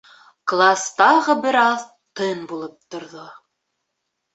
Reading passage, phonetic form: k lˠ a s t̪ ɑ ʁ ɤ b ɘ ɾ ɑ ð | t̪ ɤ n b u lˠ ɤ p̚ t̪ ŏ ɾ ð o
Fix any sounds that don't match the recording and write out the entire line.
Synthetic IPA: k lˠ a s t̪ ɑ ʁ ɤ b ɘ ɾ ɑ ð | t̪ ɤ n b u lˠ ɤ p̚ t̪ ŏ ɾ ð o